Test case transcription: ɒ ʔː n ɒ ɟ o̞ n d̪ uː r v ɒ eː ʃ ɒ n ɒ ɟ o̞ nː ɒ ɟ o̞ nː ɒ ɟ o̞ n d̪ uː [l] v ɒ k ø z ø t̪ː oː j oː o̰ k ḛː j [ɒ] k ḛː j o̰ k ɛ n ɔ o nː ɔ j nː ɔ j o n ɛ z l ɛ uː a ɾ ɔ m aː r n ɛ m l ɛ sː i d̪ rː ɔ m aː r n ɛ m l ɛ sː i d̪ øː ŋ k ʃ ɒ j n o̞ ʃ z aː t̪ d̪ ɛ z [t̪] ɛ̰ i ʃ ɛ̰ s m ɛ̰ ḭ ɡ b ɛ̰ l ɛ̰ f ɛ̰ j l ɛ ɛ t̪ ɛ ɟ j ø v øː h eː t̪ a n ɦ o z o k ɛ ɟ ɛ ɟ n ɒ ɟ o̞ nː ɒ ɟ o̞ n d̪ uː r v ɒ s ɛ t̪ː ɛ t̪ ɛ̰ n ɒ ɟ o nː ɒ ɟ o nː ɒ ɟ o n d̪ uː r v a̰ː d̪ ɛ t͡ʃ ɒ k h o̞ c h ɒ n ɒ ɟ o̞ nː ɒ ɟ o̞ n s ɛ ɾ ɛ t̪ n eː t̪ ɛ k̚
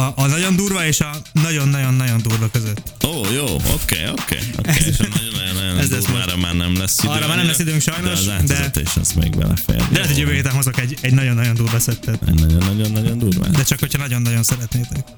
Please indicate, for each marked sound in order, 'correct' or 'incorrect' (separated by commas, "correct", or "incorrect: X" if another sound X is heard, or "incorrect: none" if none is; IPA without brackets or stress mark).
incorrect: r, incorrect: o, correct